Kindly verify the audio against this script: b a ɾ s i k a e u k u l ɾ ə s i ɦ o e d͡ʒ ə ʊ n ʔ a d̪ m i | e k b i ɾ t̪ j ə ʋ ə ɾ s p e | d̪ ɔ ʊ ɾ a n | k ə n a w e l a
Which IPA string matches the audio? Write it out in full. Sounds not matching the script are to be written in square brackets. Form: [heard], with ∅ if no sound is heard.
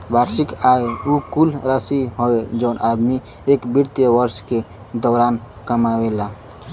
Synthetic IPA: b a ɾ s i k a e u k u l ɾ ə s i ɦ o e d͡ʒ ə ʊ n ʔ a d̪ m i | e k b i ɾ t̪ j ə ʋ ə ɾ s [k] e | d̪ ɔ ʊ ɾ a n | k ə [m] a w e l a